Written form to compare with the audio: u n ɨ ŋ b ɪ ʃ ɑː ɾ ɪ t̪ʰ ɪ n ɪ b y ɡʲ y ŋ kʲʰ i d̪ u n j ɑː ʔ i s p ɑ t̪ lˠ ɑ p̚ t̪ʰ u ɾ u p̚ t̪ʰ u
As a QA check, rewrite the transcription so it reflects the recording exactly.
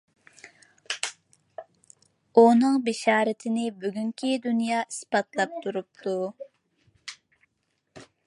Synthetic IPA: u n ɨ ŋ b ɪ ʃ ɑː ɾ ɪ t̪ʰ ɪ n ɪ b y ɡʲ y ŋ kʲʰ i d̪ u n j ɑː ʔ i s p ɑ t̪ lˠ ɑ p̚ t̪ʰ u ɾ u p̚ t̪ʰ u